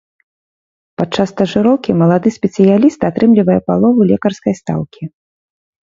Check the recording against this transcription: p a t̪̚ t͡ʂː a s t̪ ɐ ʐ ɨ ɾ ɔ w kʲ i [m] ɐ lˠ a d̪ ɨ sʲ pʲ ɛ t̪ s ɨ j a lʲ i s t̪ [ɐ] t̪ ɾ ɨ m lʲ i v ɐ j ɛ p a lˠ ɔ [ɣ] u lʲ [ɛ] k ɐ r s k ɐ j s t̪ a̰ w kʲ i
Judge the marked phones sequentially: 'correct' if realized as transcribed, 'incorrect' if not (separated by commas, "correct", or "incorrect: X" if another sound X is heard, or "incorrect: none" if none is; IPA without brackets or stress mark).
correct, incorrect: a, incorrect: v, correct